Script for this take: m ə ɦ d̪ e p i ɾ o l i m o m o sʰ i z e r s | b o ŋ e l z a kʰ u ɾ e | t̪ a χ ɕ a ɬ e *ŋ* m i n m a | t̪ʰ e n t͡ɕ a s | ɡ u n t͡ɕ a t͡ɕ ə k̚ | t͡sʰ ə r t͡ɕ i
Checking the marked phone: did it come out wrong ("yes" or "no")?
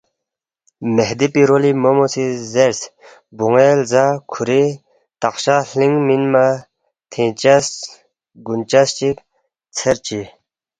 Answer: no